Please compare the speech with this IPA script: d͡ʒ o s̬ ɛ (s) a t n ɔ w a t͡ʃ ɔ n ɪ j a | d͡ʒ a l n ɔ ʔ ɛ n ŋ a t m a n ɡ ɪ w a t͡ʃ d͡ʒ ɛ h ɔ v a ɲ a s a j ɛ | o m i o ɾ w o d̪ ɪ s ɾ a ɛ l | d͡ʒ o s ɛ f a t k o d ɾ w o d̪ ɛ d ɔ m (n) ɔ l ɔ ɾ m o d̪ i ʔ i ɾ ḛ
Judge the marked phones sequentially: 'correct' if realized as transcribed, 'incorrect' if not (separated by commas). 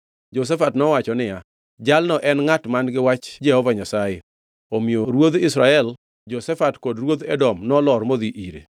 incorrect, correct